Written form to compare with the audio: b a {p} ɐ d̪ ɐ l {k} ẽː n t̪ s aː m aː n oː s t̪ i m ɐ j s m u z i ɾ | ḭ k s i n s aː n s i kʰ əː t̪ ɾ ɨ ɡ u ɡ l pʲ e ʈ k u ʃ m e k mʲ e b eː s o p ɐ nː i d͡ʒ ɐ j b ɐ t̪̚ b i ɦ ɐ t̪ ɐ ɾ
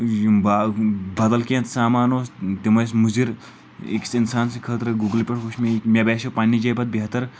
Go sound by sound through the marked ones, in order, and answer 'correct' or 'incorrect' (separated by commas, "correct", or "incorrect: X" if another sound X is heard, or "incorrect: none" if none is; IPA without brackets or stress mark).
incorrect: b, correct